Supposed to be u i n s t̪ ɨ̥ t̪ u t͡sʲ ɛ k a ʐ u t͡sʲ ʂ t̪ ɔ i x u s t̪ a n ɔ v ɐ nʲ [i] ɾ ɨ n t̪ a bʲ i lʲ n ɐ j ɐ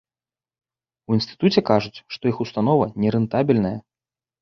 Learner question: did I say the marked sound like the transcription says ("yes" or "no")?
no